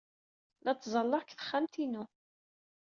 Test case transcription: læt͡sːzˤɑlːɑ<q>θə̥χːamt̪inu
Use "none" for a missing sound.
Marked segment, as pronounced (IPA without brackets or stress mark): k